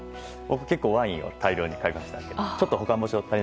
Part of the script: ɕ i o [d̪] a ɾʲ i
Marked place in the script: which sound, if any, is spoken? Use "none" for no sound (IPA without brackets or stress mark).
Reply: t̪